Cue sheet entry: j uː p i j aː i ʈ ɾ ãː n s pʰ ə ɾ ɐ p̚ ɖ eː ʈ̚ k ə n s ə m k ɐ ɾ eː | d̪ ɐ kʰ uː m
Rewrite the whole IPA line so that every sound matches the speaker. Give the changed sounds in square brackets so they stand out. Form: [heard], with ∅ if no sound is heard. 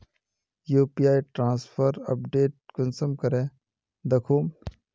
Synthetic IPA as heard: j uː p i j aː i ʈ ɾ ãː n s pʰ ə ɾ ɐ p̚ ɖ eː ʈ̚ k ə n s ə m k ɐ ɾ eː | d̪ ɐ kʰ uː m